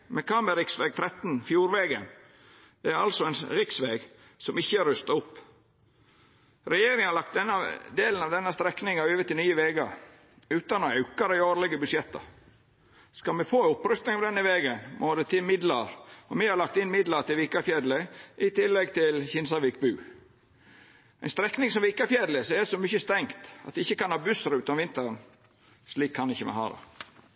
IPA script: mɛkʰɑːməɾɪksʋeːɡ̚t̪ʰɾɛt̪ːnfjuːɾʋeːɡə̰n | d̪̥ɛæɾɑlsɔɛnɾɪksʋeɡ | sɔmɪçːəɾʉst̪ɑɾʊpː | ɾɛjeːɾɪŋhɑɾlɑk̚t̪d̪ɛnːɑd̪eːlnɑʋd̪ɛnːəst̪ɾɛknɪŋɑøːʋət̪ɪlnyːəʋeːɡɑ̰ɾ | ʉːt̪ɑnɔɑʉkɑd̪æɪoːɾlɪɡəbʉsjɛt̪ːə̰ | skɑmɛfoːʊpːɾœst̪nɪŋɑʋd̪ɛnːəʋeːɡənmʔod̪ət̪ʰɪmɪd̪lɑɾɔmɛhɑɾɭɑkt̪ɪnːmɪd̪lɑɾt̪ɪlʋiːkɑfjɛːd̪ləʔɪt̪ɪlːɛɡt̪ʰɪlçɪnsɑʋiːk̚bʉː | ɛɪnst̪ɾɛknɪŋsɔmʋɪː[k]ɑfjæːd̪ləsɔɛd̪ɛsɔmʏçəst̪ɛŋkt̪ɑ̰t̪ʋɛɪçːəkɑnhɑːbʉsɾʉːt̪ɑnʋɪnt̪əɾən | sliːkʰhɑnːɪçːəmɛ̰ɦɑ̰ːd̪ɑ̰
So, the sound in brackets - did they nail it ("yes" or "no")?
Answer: yes